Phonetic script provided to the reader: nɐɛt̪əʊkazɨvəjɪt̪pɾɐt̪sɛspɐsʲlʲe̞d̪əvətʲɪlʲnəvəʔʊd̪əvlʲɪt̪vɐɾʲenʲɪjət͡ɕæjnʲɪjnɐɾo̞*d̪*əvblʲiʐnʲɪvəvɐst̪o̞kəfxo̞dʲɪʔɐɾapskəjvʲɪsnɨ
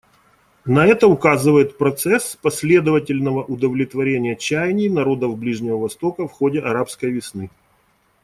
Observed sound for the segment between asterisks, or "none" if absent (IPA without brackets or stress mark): d̪